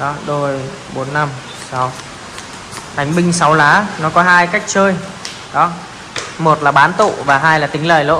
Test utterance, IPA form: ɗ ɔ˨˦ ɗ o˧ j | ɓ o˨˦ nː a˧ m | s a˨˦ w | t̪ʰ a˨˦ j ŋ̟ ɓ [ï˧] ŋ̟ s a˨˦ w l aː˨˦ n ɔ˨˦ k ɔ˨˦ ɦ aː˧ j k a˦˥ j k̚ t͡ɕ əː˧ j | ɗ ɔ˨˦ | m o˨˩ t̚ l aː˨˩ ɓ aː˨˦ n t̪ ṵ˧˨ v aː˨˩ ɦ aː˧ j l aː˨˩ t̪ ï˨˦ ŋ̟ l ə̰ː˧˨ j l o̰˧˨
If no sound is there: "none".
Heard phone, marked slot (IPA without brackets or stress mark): ï˧